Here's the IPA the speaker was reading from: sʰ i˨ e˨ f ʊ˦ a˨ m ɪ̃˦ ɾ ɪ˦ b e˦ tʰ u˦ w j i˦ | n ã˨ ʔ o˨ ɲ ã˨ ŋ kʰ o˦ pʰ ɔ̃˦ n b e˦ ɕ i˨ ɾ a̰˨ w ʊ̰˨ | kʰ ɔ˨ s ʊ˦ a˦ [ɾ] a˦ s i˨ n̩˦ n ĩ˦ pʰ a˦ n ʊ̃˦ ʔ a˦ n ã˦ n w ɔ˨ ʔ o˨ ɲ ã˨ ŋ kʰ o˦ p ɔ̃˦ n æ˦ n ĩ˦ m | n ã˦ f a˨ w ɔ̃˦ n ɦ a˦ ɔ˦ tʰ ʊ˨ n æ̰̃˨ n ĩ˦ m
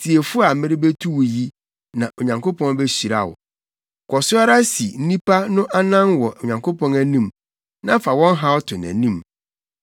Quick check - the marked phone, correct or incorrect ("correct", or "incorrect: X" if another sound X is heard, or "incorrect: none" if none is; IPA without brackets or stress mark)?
correct